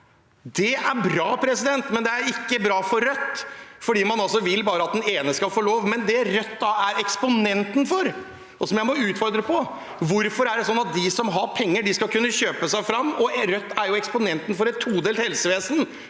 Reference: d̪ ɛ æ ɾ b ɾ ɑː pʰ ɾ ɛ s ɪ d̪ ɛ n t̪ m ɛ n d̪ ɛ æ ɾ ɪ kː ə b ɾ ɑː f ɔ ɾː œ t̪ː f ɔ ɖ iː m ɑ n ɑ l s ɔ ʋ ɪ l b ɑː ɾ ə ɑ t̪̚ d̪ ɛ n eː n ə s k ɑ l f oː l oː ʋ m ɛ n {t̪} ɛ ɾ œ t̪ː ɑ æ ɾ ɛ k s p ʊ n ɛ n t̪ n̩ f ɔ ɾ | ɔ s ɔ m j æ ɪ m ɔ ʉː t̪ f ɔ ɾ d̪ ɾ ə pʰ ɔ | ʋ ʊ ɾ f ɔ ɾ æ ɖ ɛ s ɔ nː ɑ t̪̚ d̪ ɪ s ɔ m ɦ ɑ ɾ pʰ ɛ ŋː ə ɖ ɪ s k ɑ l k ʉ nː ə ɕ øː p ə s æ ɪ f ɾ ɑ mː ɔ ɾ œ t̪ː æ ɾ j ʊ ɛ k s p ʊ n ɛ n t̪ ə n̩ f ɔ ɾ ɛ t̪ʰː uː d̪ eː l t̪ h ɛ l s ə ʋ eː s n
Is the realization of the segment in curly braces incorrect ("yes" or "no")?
yes